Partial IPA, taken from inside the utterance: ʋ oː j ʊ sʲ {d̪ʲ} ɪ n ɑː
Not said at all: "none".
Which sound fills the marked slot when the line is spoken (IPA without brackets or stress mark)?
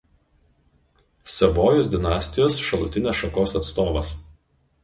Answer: d̪ʲ